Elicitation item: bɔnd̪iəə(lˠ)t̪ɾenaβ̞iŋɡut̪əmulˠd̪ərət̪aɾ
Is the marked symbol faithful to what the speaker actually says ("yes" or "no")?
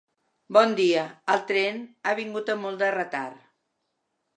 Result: yes